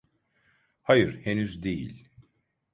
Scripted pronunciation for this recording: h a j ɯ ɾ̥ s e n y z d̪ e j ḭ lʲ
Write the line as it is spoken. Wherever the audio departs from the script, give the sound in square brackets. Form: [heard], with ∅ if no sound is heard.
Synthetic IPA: h a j ɯ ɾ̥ [h] e n y z d̪ e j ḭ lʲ